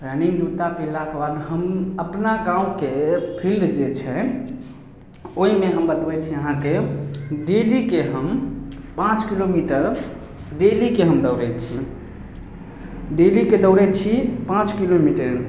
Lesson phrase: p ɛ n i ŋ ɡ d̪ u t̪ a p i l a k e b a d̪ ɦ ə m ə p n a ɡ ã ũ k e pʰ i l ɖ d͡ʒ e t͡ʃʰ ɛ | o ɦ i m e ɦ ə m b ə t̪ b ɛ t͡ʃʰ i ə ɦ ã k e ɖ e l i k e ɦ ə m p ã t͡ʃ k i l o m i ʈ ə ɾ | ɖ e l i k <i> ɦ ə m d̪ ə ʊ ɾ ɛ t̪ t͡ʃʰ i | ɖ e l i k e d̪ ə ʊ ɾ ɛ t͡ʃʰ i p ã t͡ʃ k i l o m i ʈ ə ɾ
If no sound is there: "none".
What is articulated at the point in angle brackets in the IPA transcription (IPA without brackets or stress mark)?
e